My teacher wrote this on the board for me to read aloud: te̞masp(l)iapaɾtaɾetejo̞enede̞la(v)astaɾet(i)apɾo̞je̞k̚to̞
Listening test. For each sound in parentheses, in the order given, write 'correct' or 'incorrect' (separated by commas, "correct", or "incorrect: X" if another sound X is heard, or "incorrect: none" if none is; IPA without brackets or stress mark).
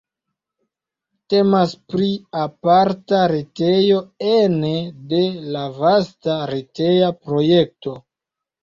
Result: incorrect: ɾ, correct, incorrect: e